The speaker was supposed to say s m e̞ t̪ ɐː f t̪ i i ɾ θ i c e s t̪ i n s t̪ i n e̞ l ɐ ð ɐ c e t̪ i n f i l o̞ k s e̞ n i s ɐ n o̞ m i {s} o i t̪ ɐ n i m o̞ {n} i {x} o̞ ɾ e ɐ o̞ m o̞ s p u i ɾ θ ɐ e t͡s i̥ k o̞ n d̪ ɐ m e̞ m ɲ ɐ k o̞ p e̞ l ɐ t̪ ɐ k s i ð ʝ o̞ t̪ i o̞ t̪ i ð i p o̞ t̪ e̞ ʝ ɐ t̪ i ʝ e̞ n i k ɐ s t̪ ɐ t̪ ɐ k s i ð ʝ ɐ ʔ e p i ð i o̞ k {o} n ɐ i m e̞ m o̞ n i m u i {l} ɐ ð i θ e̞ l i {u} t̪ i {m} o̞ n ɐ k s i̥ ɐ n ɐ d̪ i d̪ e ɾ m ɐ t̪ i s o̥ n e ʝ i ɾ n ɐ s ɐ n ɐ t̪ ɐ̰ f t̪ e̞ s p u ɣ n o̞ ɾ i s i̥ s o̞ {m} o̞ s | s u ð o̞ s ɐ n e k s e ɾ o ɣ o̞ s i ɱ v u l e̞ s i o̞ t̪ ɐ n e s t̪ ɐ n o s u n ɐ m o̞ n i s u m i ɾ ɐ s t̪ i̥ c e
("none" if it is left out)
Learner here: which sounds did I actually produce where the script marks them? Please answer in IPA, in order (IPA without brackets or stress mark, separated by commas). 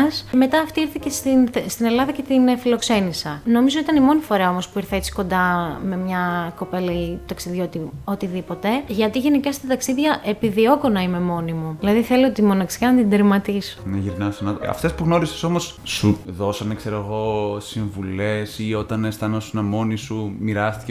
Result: z, n, f, o, l, o, m, m